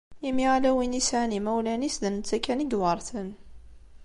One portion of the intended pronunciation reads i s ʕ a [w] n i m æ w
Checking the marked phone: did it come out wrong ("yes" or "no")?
yes